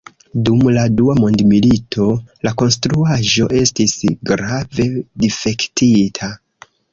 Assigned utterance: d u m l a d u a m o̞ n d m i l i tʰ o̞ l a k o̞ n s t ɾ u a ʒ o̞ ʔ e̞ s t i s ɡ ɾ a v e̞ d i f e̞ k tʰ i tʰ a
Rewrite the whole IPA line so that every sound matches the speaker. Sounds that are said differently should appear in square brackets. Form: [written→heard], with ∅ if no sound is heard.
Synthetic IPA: d u m l a d u a m o̞ n d m i l i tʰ o̞ l a k o̞ n s t ɾ u a ʒ o̞ ʔ e̞ s t i s ɡ ɾ a v e̞ d i f e̞ k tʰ i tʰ a